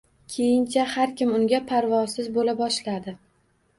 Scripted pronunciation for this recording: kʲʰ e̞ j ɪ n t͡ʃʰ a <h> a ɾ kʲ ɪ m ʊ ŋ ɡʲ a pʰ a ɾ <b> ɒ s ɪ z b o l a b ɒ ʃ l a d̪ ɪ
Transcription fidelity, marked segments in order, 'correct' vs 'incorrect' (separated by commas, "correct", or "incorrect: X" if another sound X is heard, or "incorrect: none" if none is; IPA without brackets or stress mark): correct, incorrect: v